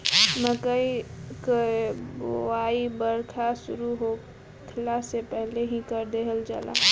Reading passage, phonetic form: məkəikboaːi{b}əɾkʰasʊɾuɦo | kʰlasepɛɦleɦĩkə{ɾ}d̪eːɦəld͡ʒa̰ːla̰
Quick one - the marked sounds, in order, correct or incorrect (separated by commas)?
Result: correct, correct